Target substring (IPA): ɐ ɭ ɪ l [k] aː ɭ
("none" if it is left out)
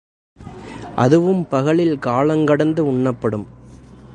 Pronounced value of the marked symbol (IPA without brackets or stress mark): k